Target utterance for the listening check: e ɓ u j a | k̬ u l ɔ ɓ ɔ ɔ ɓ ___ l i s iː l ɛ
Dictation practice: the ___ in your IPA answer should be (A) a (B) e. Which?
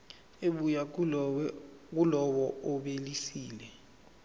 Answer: B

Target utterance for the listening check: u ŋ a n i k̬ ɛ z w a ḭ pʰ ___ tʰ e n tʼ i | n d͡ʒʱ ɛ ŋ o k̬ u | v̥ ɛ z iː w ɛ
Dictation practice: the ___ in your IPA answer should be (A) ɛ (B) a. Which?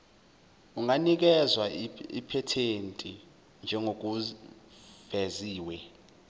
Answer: A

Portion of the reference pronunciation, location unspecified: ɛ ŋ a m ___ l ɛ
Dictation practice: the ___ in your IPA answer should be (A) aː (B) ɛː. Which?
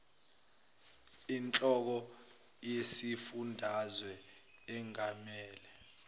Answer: B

